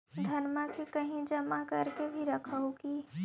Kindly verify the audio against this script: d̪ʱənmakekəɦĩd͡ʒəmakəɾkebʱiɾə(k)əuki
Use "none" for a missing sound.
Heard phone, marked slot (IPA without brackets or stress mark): kʰ